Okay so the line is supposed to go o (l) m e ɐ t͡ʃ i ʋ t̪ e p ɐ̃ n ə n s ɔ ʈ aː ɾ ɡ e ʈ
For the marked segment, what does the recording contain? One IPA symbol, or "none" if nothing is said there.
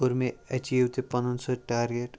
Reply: ɾ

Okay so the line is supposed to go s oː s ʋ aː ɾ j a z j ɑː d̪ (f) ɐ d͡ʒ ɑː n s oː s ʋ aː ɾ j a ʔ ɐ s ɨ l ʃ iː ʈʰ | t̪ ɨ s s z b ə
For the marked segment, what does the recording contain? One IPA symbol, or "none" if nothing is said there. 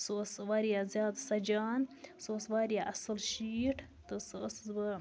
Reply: s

